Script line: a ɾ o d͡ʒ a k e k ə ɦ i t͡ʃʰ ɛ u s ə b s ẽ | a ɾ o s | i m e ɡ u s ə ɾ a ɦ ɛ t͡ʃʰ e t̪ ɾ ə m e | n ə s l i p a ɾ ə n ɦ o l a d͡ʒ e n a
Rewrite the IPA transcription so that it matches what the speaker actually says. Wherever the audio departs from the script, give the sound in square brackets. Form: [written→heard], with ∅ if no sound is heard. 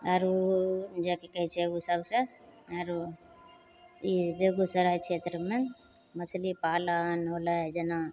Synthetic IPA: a ɾ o d͡ʒ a k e k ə ɦ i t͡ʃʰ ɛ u s ə b s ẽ | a ɾ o [s→∅] | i [m→b] e ɡ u s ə ɾ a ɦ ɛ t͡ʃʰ e t̪ ɾ ə m e | [n→m] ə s l i p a [ɾ→l] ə n ɦ o l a d͡ʒ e n a